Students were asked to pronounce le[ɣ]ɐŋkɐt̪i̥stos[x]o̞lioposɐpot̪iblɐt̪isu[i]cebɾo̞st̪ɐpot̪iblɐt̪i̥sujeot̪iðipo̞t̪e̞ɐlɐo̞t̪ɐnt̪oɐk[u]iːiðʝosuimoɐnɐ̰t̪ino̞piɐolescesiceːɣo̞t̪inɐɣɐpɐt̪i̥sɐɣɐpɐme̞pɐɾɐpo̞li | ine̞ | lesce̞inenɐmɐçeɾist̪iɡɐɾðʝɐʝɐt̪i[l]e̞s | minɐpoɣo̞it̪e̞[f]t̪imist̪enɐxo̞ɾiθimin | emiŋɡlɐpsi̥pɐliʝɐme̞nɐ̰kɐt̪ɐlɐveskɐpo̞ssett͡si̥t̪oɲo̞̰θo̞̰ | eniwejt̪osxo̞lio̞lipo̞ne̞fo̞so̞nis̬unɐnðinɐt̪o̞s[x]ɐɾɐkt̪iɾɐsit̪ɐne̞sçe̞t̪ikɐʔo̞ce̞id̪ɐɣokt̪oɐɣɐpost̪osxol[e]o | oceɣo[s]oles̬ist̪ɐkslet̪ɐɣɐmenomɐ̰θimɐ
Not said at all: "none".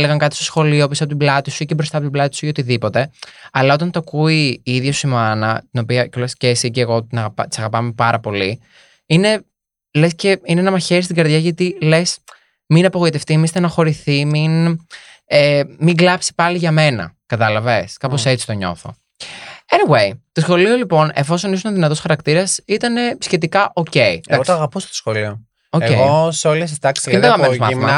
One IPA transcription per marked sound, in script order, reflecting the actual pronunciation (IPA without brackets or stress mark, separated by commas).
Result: ɣ, x, i, u, l, f, x, i, s